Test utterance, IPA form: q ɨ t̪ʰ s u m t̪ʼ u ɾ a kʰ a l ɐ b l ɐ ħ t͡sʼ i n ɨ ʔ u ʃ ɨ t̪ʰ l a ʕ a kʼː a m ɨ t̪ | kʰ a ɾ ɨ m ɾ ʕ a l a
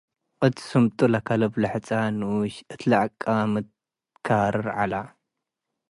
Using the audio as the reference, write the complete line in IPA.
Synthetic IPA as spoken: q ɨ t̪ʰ s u m t̪ʼ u l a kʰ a l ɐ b l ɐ ħ t͡sʼ a n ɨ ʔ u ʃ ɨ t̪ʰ l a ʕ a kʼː a m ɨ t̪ | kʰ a ɾ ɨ ɾ ʕ a l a